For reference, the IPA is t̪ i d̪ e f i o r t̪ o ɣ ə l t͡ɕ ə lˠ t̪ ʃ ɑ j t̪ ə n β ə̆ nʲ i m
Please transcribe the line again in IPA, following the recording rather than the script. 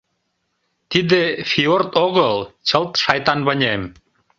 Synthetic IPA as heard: t̪ i d̪ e f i o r t̪ o ɣ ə l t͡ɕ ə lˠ t̪ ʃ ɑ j t̪ ɑ n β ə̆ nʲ e m